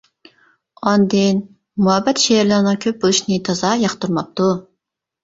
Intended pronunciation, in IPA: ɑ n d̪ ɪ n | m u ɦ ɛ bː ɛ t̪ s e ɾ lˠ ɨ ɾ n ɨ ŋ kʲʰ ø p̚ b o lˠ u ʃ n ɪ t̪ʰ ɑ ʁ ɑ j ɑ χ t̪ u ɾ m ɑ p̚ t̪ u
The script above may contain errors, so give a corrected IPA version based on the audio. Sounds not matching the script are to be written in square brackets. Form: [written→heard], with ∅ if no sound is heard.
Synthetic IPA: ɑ n d̪ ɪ n | m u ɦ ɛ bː ɛ t̪ [s→ʃ] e ɾ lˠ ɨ ɾ n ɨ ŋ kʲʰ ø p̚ b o lˠ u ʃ n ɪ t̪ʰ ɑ [ʁ→z] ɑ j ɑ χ t̪ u ɾ m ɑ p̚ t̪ u